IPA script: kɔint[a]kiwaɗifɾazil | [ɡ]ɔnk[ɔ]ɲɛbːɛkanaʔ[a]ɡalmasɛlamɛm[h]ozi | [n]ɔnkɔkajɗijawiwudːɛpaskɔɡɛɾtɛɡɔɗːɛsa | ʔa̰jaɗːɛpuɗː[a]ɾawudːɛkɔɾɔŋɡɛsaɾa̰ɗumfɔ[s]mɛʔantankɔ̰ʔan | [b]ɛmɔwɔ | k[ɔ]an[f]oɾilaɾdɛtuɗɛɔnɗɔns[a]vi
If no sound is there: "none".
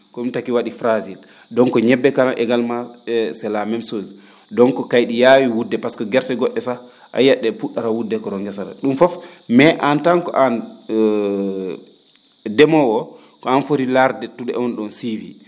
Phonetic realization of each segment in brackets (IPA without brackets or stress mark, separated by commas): a, d, ɔ, ɛ, s, d, a, f, d, ɔ, f, i